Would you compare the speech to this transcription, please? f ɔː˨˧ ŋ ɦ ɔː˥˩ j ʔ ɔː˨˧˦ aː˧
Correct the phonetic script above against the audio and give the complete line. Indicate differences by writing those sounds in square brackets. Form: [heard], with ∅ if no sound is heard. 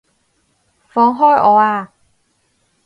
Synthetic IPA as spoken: f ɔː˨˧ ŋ ɦ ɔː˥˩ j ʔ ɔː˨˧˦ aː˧